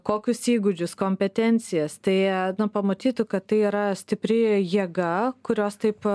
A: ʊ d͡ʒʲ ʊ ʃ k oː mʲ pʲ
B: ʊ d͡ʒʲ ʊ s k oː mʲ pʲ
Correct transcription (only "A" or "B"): B